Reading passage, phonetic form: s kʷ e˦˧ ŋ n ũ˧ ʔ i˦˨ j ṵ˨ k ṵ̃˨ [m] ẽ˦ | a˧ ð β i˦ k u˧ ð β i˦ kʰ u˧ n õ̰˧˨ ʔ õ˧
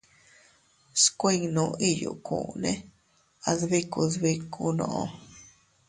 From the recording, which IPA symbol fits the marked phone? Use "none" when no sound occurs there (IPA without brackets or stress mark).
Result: n